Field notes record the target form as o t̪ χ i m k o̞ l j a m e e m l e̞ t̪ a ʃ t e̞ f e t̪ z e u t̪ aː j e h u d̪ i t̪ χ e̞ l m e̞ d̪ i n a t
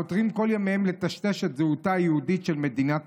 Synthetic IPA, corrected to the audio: o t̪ ʁ i m k o̞ l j a m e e m l e̞ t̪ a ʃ t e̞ ʃ e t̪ z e u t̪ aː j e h u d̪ i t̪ ʃ e̞ l m e̞ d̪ i n a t